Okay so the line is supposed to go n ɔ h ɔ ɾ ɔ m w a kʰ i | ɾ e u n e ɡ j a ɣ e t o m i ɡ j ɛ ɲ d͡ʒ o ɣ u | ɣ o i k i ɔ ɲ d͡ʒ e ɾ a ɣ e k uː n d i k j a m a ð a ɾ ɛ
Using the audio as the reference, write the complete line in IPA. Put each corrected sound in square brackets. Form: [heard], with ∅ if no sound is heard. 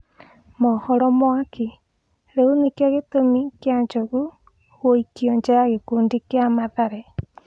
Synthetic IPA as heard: [m] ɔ h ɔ ɾ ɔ m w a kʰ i | ɾ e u n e [k] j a ɣ e t o m i [k] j [a] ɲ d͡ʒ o ɣ u | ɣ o i k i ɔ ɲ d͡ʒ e ɾ a ɣ e k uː n d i k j a m a ð a ɾ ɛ